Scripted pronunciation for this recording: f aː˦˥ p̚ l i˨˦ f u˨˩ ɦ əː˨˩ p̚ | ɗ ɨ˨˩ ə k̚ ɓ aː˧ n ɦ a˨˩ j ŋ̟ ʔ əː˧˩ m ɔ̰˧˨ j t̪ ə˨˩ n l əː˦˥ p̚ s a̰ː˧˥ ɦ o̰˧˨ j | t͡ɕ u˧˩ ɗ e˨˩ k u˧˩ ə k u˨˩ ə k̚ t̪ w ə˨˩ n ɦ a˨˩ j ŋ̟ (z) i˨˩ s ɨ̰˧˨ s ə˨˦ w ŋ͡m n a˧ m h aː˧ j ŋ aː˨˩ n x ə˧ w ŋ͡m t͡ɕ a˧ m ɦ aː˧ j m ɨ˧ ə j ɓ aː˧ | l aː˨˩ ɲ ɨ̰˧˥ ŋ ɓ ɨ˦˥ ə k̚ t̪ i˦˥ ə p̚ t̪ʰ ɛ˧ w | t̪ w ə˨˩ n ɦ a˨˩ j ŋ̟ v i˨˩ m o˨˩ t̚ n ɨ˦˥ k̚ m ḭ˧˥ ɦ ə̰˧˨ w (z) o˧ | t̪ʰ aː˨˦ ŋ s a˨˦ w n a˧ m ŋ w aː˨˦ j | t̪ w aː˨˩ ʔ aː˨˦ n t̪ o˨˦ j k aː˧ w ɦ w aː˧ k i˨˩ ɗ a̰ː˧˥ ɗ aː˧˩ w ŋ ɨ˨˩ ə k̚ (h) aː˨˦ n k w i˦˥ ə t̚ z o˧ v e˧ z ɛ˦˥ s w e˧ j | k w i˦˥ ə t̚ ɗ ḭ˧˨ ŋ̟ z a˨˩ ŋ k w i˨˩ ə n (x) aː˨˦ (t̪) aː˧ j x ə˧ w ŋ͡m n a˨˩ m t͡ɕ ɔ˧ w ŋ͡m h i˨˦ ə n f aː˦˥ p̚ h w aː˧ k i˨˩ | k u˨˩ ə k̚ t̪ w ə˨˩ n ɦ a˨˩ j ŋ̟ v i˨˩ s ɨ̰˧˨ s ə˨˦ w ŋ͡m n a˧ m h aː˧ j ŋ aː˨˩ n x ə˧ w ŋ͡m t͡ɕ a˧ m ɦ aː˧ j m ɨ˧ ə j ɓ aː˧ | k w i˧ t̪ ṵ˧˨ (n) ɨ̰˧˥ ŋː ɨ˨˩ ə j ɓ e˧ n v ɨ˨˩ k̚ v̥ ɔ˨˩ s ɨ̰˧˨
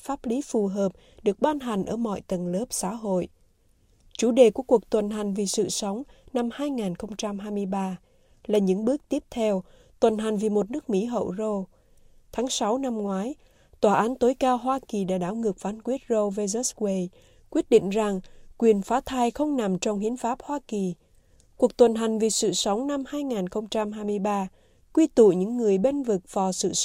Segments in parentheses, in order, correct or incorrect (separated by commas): incorrect, correct, incorrect, incorrect, incorrect, incorrect